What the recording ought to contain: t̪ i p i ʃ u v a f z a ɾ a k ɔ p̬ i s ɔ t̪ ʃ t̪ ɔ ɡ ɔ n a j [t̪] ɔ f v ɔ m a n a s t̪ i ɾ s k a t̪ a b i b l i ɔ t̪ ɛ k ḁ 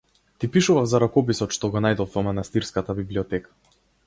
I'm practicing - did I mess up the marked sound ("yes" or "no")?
yes